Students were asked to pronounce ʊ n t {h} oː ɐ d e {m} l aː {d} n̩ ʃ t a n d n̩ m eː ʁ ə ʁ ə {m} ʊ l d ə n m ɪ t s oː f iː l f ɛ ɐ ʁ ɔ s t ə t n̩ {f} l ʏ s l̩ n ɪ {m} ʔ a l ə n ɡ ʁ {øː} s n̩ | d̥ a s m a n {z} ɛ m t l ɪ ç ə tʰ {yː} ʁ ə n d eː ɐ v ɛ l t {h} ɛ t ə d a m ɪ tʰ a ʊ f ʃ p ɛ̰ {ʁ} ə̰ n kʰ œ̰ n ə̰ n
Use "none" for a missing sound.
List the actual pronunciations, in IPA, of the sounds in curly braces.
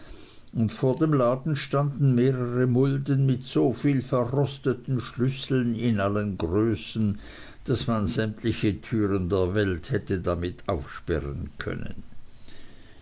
f, m, d, m, ʃ, n, øː, z, yː, h, ʁ

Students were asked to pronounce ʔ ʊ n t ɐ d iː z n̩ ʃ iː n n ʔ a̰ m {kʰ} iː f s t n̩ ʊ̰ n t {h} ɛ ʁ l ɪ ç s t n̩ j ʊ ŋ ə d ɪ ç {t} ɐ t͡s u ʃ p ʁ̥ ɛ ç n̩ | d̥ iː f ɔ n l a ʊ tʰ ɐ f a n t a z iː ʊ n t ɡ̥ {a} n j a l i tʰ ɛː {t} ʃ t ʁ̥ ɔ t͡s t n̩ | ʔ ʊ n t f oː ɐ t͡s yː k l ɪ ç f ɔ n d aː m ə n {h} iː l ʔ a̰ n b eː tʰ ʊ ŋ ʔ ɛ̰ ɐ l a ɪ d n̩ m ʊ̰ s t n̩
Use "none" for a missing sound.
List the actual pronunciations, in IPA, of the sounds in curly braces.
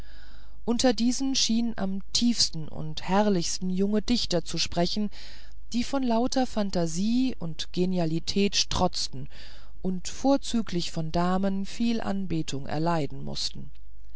tʰ, h, t, e, t, f

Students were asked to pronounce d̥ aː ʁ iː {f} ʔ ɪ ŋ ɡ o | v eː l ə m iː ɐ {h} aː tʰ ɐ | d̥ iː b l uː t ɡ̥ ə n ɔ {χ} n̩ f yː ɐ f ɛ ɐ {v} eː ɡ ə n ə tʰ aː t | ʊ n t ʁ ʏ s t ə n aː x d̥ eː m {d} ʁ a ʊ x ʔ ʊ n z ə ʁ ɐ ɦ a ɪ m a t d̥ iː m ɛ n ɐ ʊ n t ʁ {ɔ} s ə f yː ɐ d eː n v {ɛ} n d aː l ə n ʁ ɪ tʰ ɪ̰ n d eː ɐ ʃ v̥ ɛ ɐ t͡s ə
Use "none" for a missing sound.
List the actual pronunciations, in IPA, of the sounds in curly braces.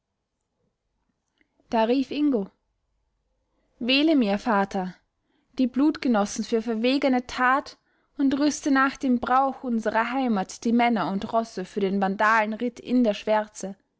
f, f, s, v, b, ɔ, a

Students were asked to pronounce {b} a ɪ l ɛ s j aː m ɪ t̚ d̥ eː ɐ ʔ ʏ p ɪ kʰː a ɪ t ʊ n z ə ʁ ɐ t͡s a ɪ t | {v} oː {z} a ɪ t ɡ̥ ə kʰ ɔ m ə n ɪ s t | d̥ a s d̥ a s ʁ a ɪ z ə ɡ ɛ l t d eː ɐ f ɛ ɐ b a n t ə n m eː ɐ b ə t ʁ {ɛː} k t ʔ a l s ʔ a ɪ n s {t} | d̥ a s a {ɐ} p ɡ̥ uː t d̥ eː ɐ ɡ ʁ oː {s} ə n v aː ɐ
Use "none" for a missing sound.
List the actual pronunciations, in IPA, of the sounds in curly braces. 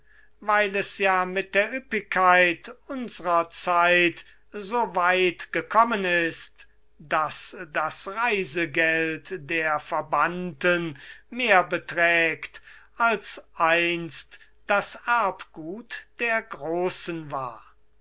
v, z, v, ɛː, t, ɐ, s

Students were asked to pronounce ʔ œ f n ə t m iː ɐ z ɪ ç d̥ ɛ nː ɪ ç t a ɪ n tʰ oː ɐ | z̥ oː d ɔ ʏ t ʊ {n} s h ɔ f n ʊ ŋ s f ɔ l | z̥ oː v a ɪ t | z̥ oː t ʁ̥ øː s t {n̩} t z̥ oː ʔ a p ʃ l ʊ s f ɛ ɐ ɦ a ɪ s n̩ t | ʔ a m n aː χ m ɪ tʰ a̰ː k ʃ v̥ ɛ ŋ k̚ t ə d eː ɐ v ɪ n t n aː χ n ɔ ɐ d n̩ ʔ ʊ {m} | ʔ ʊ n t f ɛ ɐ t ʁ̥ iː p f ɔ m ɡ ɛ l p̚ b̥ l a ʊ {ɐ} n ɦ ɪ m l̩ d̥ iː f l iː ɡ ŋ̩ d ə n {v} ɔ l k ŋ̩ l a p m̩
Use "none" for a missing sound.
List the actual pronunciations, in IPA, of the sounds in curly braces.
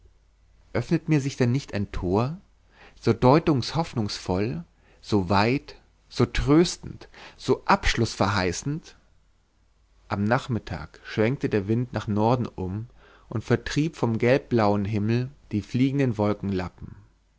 ŋ, n̩, m, ə, v

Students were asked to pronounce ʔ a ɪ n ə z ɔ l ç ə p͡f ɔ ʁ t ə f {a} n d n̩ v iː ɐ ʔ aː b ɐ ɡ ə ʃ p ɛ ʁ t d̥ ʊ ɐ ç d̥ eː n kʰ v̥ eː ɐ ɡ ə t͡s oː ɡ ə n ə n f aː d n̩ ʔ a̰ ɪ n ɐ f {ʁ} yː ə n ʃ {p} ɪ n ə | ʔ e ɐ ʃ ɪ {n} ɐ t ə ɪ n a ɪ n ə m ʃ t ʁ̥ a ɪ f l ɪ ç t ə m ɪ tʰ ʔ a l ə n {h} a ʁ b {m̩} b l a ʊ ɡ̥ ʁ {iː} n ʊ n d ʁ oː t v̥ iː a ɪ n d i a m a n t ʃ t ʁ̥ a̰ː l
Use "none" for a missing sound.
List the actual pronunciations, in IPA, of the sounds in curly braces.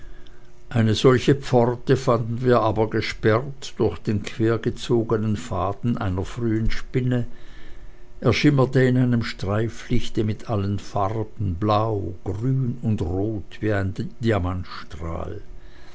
a, ʁ, p, m, f, n̩, yː

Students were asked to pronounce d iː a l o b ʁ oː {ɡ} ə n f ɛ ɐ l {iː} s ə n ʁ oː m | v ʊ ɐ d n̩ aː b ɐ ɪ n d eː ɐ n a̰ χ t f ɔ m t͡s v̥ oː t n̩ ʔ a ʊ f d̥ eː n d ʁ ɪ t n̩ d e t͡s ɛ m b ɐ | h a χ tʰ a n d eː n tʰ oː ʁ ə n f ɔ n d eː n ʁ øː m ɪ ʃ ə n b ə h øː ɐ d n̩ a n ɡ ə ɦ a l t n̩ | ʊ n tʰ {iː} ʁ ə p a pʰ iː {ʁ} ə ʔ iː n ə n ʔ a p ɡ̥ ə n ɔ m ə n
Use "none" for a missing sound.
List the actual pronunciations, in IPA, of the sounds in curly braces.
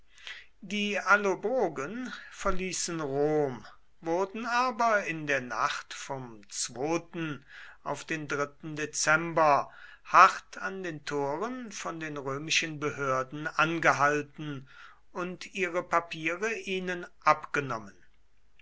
ɡ, iː, iː, ʁ

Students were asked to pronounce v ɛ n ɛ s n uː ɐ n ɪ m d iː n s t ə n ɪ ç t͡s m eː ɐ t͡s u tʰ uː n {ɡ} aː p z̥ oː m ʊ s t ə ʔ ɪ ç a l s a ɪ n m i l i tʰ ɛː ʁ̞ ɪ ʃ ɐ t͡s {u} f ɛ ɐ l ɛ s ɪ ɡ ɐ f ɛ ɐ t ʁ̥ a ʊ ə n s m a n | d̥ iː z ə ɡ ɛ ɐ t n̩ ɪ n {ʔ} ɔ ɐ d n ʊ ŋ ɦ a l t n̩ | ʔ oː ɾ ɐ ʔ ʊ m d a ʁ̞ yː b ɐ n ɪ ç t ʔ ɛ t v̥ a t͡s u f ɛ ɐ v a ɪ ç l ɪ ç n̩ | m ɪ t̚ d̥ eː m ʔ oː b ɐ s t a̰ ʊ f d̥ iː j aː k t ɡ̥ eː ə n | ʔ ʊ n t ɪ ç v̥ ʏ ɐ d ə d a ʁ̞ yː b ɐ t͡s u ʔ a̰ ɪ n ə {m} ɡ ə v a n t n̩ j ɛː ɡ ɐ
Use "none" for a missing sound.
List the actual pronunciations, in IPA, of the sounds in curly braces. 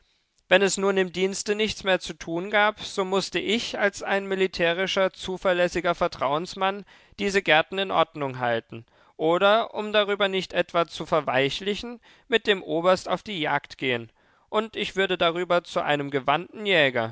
ɡ, uː, ʔ, m

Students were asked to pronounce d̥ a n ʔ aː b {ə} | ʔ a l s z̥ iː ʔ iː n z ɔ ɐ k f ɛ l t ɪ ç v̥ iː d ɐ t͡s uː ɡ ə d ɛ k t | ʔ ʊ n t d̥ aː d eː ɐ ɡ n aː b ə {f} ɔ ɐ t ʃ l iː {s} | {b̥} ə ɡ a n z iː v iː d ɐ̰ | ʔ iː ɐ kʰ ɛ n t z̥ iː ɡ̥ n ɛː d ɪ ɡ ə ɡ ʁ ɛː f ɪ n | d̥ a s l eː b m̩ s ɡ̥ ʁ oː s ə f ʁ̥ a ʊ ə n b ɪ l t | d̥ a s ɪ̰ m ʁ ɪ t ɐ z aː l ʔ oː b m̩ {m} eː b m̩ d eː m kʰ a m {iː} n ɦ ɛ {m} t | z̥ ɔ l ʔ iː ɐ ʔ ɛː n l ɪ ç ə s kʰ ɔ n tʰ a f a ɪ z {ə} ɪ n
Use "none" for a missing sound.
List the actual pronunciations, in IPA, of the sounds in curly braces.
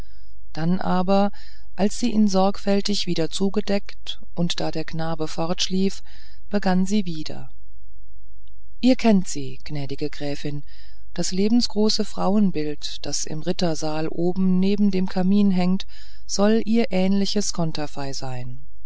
ɐ, f, f, b̥, n, iː, ŋ, a

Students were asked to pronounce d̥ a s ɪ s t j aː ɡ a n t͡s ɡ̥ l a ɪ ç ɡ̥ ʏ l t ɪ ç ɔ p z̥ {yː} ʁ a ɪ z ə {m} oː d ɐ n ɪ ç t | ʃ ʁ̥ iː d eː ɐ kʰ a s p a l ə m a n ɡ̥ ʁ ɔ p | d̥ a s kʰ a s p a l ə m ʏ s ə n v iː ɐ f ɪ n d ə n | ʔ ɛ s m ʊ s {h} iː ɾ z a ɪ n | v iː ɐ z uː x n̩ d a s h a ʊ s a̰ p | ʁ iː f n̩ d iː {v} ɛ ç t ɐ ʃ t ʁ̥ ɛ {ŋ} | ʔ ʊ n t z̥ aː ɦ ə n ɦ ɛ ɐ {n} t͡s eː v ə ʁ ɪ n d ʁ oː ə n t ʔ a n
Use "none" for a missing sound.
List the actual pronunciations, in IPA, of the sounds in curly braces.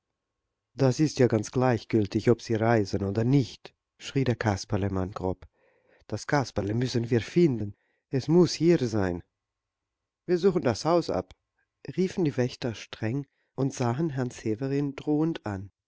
iː, n, h, v, ŋ, n

